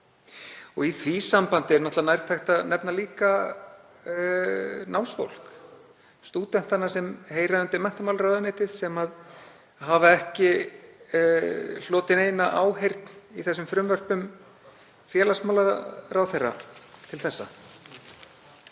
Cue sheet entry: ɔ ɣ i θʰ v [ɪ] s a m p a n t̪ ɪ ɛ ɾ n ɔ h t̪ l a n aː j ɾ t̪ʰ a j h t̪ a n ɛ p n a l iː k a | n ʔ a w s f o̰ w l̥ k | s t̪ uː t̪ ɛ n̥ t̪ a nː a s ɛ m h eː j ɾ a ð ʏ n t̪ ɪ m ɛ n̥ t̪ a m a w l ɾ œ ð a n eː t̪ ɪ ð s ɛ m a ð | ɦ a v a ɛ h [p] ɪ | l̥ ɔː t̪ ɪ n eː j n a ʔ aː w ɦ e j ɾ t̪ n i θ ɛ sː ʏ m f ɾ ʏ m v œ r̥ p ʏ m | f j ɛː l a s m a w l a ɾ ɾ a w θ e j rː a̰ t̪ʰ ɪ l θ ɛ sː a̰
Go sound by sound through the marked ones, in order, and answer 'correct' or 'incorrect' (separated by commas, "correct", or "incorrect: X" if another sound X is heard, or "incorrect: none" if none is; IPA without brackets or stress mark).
incorrect: i, incorrect: c